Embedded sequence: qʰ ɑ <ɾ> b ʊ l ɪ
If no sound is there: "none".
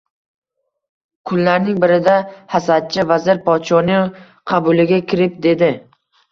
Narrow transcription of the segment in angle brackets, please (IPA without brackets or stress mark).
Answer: none